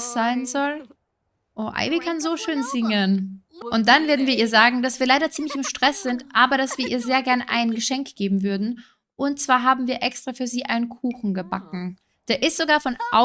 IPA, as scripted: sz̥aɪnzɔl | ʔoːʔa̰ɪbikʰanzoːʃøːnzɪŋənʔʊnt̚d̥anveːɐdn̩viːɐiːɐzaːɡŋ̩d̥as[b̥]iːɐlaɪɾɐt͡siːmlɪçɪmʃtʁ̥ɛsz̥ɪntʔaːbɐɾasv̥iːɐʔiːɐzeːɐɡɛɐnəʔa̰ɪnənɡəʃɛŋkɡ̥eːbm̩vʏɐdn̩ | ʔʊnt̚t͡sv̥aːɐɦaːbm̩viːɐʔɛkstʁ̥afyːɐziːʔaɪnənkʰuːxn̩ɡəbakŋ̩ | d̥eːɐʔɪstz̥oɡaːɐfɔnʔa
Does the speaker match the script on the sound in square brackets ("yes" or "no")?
no